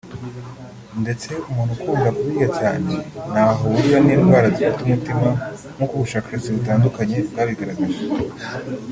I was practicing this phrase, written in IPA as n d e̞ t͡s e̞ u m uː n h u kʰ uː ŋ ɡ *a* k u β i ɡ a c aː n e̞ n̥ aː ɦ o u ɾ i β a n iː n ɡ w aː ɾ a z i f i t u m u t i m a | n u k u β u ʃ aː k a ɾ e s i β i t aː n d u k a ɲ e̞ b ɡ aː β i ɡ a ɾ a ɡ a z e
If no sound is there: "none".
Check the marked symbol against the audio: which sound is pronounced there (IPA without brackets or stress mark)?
a